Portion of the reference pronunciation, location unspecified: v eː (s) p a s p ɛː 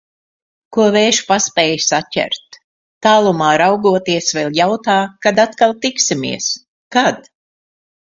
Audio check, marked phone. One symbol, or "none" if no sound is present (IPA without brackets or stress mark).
ʃ